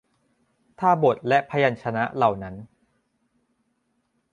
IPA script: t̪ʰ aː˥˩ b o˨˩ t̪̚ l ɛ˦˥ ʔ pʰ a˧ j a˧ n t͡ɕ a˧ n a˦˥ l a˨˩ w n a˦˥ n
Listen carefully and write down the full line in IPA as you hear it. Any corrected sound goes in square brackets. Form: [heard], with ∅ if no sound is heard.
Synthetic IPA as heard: t̪ʰ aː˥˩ b o˨˩ t̪̚ l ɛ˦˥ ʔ pʰ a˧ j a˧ n [t͡ɕʰ] a˧ n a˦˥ l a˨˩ w n a˦˥ n